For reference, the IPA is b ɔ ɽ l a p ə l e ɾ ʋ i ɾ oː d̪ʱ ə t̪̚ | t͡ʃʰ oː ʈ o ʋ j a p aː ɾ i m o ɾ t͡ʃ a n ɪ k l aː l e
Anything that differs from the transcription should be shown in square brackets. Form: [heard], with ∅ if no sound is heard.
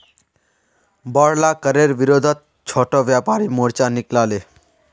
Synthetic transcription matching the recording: b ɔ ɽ l a [k] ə [ɾ] e ɾ ʋ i ɾ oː d̪ʱ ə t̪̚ | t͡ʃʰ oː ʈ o ʋ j a p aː ɾ i m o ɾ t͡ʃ a n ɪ k l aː l e